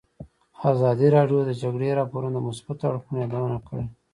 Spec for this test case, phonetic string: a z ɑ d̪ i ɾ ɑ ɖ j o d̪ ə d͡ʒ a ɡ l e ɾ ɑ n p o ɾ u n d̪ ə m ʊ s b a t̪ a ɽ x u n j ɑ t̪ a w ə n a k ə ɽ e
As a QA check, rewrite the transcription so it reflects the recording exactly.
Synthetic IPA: a z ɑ d̪ i ɾ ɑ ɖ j o d̪ ə d͡ʒ a ɡ ɽ e ɾ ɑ p o ɾ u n d̪ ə m ʊ s b a t̪ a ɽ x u n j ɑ d̪ a w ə n a k ə ɽ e